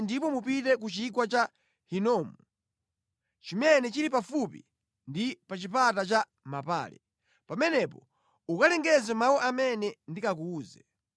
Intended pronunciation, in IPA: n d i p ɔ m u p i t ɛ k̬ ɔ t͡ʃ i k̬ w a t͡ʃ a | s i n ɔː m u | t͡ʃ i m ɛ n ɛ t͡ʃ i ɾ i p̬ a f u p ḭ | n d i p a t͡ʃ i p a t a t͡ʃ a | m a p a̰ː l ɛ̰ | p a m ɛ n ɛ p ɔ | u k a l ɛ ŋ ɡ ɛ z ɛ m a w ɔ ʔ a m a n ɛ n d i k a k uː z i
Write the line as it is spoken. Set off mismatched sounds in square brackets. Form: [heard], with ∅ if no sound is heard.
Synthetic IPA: n d i p ɔ m u p i t ɛ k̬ [u] t͡ʃ i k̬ w a t͡ʃ a | [h] i n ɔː m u | t͡ʃ i m ɛ n ɛ t͡ʃ i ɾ i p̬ a f u p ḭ | n d i p a t͡ʃ i p a t a t͡ʃ a | m a p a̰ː l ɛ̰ | p a m ɛ n ɛ p ɔ | u k a l ɛ ŋ ɡ ɛ z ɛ m a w ɔ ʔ a m [ɛ] n ɛ n d i k a k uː z [ɛ]